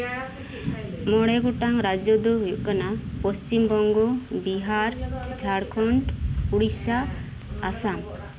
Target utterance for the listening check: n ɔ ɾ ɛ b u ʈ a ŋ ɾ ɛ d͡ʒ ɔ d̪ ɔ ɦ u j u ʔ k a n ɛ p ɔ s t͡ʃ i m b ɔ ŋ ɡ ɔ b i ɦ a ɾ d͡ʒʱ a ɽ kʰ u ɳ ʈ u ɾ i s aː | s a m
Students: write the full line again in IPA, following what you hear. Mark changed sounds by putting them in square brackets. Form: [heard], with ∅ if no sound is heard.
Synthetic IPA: [m] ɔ [ɽ] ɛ [ɡ] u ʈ a ŋ ɾ [a] d͡ʒ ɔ d̪ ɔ ɦ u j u ʔ k a n [a] p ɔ s t͡ʃ i m b ɔ ŋ ɡ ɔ b i ɦ a ɾ d͡ʒʱ a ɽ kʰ [ɔ] ɳ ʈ u [ɽ] i s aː | s a m